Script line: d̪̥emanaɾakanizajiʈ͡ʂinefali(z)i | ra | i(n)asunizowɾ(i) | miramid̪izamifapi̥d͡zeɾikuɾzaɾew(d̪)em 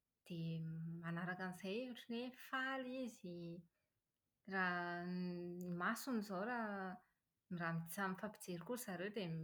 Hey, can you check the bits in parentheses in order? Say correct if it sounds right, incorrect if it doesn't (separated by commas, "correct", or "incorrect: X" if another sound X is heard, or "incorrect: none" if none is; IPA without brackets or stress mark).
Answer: correct, incorrect: m, incorrect: a, correct